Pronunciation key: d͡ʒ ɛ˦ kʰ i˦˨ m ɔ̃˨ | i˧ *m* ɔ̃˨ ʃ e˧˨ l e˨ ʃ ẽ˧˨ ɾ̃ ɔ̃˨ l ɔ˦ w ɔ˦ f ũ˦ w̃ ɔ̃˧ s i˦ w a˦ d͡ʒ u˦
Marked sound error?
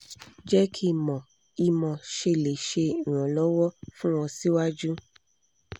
no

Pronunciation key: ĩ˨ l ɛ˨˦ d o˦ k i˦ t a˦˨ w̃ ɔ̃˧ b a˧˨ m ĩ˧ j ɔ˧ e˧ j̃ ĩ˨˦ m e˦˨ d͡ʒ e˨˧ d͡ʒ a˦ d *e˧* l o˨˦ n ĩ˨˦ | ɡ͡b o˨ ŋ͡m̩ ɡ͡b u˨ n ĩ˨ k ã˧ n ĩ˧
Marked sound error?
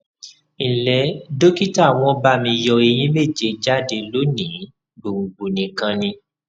no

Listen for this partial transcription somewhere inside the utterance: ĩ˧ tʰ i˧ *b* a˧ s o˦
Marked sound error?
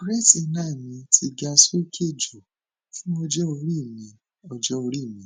yes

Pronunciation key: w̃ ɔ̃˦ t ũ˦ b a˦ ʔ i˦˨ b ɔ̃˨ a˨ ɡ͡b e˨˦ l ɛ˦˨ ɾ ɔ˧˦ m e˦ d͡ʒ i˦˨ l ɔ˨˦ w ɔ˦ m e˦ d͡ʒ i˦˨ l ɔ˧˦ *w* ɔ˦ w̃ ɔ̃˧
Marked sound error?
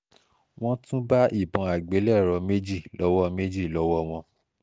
no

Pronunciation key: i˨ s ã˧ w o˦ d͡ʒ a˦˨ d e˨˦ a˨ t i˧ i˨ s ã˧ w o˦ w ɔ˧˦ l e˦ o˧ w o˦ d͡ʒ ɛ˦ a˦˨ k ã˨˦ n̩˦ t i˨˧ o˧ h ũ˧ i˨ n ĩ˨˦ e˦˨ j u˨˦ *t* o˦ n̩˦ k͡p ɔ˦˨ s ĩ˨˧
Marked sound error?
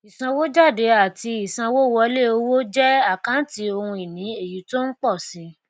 no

